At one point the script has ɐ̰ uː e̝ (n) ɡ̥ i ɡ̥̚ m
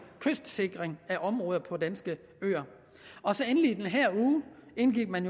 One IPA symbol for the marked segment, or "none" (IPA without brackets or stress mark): n